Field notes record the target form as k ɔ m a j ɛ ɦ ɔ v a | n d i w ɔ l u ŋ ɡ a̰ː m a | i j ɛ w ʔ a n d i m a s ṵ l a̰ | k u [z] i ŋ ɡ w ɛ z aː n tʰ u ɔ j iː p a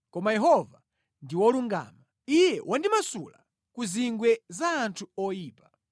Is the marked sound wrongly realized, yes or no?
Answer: no